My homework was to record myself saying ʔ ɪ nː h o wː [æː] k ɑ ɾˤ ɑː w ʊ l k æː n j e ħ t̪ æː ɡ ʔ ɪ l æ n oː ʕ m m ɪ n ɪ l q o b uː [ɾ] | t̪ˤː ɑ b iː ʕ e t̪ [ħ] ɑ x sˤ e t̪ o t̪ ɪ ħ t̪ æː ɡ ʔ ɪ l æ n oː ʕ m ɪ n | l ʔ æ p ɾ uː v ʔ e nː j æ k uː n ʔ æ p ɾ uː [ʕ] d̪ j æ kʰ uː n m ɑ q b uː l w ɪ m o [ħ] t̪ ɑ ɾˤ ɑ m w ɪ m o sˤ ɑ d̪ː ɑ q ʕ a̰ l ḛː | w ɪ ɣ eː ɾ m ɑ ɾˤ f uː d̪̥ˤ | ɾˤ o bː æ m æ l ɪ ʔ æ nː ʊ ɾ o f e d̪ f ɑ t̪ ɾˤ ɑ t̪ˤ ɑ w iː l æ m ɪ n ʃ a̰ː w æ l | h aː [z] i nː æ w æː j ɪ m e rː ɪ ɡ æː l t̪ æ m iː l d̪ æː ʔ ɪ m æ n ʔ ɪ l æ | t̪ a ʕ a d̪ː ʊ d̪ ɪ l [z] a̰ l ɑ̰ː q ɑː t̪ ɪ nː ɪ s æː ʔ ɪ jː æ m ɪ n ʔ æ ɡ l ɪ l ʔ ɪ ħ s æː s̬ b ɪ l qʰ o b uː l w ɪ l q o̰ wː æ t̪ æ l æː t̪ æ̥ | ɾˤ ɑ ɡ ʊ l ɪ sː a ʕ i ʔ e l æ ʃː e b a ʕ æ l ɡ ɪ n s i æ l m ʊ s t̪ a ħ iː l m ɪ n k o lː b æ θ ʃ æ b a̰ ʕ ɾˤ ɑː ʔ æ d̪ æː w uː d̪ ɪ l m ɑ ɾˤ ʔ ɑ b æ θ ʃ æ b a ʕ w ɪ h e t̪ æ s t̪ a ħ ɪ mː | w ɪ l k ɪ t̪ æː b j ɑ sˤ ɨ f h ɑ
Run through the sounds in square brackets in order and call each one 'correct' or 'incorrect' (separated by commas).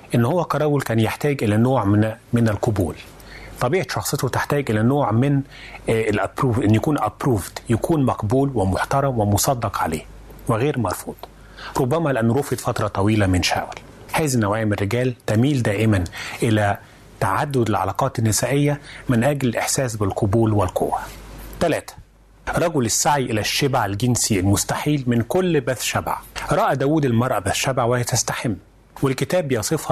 incorrect, incorrect, incorrect, incorrect, correct, correct, incorrect